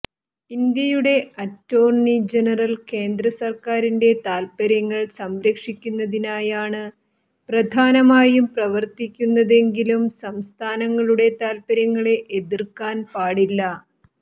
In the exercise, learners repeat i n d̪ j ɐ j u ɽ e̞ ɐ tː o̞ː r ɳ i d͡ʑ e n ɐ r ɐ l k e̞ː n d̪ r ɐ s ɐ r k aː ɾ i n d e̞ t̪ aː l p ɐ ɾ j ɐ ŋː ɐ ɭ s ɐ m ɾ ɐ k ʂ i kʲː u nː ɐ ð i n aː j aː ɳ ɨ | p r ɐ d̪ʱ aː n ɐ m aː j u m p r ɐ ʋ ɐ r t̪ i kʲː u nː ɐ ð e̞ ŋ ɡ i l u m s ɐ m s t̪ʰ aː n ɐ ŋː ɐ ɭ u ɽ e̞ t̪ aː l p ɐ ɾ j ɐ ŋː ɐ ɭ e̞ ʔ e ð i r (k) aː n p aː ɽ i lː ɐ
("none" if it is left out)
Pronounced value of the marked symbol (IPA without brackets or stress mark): k